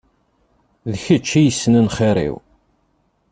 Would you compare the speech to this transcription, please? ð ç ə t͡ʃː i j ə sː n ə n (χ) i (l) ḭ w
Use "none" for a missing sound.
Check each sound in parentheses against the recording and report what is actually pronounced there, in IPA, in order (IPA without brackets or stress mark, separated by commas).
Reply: χ, ɾ